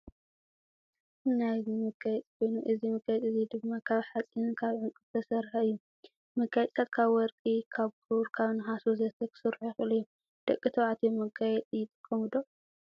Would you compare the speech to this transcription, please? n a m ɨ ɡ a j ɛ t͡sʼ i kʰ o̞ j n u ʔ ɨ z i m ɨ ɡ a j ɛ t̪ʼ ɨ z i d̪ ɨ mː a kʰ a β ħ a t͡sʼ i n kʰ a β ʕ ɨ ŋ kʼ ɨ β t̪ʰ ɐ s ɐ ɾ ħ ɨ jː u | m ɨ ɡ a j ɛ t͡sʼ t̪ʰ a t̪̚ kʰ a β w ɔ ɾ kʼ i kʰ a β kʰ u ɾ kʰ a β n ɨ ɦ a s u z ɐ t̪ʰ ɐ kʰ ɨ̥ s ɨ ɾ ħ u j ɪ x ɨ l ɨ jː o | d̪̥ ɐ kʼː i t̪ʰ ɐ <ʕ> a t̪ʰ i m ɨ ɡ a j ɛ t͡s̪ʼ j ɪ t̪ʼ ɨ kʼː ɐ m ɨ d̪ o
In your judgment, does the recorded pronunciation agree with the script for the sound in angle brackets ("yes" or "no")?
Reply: yes